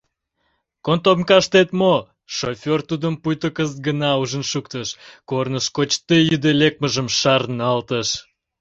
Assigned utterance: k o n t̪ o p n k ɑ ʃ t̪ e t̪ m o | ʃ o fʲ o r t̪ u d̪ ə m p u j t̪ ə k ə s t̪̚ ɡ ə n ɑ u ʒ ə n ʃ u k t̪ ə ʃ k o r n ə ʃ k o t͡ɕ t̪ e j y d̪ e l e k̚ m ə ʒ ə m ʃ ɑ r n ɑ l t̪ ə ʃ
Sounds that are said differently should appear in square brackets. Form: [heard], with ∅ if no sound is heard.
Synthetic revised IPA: k o n t̪ o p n k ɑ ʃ t̪ e t̪ m o | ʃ o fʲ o r t̪ u d̪ ə m p u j t̪ ə k ə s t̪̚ ɡ ə n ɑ u ʒ ə n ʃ u k t̪ ə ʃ k o r n ə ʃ k o t͡ɕ t̪ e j y d̪ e l e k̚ m ə ʒ ə m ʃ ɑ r n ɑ l t̪ ə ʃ